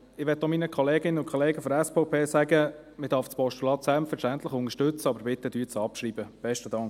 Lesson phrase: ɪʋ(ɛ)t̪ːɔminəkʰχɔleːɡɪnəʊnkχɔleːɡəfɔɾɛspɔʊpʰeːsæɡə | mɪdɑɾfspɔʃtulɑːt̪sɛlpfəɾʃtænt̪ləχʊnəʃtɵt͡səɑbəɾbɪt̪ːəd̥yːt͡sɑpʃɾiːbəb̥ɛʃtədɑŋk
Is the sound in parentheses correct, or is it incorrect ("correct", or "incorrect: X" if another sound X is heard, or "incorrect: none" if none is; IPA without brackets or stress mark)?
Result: correct